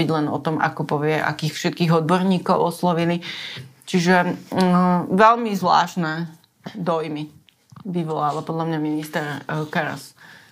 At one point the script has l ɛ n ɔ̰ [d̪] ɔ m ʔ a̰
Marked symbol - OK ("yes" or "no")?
no